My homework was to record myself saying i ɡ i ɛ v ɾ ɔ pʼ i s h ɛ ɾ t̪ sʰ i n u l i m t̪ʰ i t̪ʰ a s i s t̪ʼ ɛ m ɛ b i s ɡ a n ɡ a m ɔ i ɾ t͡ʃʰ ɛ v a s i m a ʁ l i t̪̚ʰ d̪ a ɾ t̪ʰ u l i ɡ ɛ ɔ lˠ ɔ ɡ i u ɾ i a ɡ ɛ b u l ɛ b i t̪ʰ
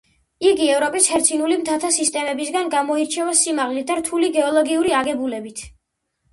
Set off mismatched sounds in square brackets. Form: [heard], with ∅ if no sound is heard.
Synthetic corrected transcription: i ɡ i ɛ v ɾ ɔ pʼ i s h ɛ ɾ t̪ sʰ i n u l i m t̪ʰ [a] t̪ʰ a s i s t̪ʼ ɛ m ɛ b i s ɡ a n ɡ a m ɔ i ɾ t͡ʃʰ ɛ v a s i m a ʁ l i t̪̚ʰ d̪ a ɾ t̪ʰ u l i ɡ ɛ ɔ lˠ ɔ ɡ i u ɾ i a ɡ ɛ b u l ɛ b i t̪ʰ